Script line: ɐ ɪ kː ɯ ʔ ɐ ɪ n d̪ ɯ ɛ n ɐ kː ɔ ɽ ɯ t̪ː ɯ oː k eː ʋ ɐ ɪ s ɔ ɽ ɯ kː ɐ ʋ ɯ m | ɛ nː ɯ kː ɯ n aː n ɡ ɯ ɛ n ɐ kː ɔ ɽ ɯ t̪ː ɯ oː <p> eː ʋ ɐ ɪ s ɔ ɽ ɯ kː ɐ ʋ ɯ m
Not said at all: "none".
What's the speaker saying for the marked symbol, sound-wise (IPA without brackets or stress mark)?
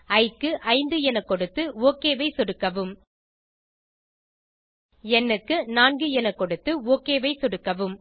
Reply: k